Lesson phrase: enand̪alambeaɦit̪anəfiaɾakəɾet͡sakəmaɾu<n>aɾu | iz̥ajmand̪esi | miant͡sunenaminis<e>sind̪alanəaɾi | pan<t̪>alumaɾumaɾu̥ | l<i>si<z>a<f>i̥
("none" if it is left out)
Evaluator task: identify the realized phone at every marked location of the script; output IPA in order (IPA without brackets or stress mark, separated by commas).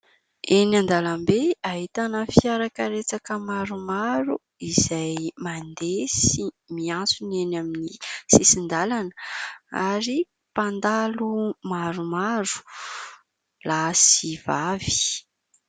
m, i, d̪, a, v, v